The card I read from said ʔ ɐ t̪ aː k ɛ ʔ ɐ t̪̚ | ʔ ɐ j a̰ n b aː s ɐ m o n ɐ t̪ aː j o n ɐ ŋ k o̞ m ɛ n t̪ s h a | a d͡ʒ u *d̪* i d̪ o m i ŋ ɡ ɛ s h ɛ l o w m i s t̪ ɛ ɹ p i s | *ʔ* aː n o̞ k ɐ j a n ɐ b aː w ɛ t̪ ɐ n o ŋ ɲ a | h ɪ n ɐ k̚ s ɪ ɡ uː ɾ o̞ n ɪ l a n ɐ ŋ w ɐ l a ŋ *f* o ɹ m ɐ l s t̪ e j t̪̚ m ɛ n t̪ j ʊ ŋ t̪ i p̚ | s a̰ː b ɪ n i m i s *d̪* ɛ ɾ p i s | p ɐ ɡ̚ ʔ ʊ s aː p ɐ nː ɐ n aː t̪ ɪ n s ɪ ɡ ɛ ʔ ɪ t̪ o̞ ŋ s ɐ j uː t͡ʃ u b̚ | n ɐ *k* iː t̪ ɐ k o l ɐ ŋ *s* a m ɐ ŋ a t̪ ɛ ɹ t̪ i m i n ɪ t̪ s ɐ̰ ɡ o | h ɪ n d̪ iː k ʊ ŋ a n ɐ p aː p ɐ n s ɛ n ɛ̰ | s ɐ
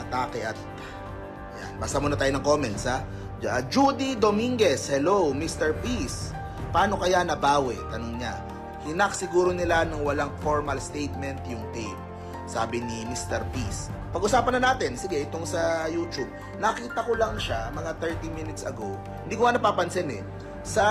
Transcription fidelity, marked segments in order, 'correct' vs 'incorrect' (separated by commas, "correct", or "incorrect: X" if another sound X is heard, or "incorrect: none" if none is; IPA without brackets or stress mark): correct, incorrect: p, correct, incorrect: t̪, correct, incorrect: ʃ